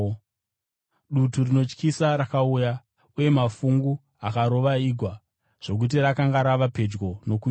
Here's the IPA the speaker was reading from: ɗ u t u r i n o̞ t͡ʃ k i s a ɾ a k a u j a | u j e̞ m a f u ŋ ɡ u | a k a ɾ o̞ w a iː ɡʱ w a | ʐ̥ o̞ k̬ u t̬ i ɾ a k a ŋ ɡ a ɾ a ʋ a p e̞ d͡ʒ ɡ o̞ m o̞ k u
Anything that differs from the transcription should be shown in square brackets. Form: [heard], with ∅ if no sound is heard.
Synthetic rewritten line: ɗ u t u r i n o̞ t͡ʃ k i s a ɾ a k a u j a | u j e̞ m a f u ŋ ɡ u | a k a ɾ o̞ [ʋ] a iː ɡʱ w a | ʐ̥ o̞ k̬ u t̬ i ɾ a k a ŋ ɡ a ɾ a ʋ a p e̞ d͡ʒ ɡ o̞ [n] o̞ k u